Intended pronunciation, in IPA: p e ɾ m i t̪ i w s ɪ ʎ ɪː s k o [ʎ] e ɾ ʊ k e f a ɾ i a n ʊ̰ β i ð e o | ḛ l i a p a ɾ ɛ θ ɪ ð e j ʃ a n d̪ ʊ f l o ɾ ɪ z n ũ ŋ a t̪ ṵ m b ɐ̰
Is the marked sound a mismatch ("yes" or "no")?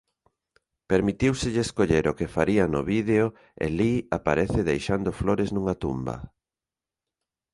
no